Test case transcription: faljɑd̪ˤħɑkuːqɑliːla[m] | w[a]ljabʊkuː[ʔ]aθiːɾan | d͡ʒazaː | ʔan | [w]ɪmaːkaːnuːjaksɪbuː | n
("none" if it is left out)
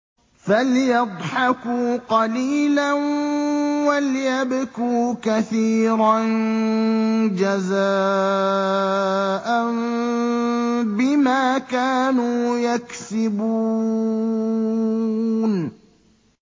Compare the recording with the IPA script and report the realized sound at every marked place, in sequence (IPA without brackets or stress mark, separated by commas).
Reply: n, a, k, b